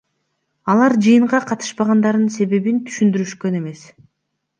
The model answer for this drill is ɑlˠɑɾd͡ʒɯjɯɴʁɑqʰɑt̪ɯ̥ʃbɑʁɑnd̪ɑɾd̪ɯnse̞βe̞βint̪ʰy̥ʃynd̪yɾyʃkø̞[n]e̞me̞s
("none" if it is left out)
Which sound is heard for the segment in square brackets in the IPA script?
n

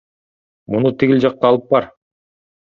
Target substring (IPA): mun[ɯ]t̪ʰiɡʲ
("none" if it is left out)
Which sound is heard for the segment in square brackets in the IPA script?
u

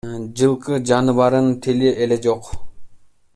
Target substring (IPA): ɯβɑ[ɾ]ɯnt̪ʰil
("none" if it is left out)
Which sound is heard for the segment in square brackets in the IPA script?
ɾ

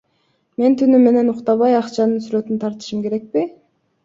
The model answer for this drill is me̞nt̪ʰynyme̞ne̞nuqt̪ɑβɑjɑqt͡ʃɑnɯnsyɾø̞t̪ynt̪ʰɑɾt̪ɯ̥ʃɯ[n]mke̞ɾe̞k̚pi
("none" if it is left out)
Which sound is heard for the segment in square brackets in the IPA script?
none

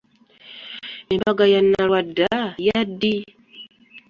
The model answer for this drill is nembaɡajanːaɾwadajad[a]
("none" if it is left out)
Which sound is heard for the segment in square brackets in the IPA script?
i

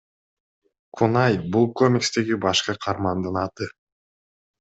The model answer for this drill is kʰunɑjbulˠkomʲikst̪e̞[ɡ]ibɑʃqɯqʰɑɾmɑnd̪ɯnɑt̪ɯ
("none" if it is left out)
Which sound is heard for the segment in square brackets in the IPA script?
ɡ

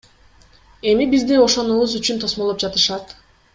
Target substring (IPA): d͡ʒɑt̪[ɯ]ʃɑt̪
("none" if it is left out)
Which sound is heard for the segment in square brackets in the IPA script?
ɯ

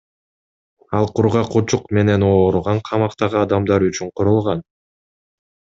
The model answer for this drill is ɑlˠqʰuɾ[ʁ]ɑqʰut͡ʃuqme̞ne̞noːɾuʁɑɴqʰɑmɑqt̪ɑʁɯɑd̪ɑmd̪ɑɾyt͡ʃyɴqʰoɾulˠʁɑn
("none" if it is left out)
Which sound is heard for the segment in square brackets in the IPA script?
ʁ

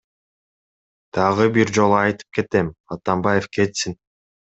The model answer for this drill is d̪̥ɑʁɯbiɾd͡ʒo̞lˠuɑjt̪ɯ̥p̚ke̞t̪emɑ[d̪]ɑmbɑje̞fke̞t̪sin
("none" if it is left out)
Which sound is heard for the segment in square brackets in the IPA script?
t̪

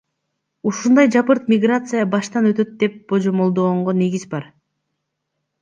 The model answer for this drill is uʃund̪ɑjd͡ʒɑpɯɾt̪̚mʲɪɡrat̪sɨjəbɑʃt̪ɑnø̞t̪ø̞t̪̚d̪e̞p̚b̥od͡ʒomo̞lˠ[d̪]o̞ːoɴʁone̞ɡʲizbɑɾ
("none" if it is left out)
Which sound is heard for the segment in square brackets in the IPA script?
d̪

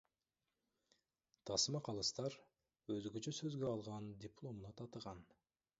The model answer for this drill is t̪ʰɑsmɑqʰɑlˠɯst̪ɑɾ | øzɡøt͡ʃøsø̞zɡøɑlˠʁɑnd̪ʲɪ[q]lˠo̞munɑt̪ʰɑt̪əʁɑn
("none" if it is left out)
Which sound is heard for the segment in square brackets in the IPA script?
p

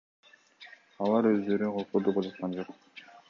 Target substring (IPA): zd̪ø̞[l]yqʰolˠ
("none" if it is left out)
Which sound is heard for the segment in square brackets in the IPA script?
ɾ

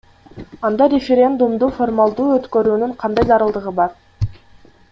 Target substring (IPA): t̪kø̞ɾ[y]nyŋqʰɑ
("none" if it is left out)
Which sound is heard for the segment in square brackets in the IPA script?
yː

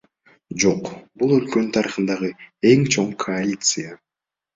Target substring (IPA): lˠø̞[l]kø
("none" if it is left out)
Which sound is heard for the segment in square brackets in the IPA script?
l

